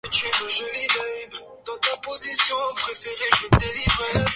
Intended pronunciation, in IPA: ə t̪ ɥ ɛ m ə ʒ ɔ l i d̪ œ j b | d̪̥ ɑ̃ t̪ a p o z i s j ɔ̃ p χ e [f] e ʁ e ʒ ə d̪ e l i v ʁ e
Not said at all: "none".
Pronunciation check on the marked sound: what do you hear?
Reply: f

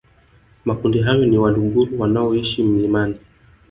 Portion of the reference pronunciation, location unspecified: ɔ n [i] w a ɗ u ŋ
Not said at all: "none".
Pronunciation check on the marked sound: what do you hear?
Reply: i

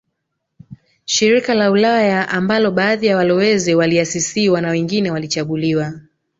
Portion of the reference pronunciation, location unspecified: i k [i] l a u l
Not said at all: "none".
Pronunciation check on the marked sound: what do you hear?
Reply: a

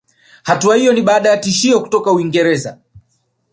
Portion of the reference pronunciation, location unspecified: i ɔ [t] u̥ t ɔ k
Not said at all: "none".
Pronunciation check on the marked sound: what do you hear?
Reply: k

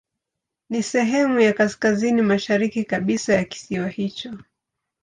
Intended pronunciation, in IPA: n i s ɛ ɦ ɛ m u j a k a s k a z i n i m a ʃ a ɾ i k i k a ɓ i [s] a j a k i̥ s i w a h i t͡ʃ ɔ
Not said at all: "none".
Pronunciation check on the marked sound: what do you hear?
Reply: s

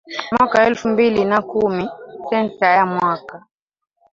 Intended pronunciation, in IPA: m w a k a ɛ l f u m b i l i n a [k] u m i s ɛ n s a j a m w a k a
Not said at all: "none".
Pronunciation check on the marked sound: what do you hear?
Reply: k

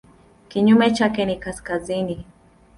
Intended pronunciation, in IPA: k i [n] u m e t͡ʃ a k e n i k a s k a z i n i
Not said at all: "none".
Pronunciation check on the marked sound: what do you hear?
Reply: ɲ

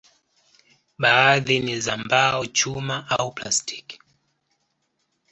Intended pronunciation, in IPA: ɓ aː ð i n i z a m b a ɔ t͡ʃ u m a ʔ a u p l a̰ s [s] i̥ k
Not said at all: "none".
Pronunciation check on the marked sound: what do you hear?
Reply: t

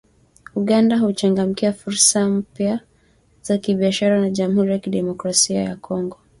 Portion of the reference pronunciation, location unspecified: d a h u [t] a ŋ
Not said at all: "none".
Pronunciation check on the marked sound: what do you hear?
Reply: t͡ʃ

